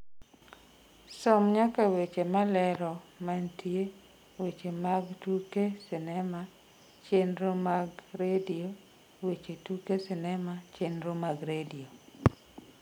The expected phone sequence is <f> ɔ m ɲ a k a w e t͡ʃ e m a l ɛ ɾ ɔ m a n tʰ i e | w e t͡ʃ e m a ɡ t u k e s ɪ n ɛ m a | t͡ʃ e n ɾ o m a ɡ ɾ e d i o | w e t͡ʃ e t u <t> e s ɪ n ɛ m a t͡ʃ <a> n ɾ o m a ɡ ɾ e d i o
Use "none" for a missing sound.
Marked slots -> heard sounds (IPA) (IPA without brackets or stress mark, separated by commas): s, k, e